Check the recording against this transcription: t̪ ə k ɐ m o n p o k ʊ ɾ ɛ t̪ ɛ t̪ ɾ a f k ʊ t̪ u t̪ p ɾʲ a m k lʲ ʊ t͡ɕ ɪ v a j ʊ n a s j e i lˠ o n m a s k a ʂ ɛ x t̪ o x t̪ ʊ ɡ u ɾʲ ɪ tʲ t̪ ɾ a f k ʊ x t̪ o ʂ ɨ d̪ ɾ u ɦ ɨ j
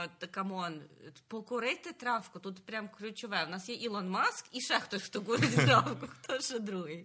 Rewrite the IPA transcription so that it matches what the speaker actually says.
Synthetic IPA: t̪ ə k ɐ m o n p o k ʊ ɾ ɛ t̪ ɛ t̪ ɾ a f k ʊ t̪ u t̪ p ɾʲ a m k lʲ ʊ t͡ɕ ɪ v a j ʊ n a s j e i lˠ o n m a s k i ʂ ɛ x t̪ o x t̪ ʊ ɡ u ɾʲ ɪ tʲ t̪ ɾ a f k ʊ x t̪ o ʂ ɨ d̪ ɾ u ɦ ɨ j